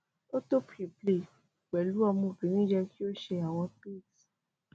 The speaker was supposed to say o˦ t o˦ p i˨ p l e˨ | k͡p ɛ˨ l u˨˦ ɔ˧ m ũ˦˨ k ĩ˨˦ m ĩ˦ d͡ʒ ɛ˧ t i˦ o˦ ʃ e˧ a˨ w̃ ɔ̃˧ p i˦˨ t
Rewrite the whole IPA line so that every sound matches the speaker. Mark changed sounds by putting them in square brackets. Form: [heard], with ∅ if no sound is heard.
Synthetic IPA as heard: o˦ t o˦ p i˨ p l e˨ | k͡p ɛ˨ l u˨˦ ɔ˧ m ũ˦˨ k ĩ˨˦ [n] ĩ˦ d͡ʒ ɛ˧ [k] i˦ o˦ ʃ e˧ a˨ w̃ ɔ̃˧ p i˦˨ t